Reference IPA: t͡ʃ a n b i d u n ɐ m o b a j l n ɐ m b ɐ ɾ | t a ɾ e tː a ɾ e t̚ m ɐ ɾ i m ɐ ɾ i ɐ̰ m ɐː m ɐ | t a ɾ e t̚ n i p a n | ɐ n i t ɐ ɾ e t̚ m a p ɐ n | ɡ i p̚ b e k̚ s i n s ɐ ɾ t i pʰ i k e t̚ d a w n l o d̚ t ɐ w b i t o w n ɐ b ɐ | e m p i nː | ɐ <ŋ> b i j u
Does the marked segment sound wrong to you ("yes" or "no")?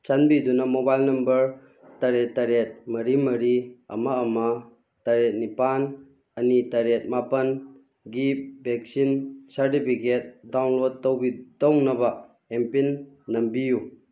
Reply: yes